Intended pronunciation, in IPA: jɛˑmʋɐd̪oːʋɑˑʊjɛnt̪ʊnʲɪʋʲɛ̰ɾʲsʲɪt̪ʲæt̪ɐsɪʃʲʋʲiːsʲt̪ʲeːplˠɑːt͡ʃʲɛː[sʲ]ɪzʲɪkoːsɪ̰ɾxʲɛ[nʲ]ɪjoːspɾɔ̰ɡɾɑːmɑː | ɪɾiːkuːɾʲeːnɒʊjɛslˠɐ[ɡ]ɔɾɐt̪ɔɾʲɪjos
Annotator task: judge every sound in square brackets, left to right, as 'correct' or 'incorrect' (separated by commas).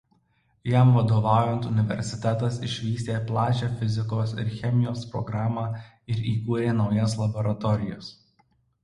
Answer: incorrect, incorrect, incorrect